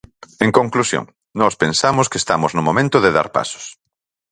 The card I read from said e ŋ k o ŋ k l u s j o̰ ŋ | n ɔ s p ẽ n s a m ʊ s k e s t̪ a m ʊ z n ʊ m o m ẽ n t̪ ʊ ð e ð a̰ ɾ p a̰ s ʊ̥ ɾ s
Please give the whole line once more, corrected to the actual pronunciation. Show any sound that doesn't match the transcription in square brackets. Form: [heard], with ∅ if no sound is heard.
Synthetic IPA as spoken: e ŋ k o ŋ k l u s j o̰ ŋ | n ɔ s p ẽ n s a m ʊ s k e s t̪ a m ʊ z n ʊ m o m ẽ n t̪ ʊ ð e ð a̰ ɾ p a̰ s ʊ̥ [∅] s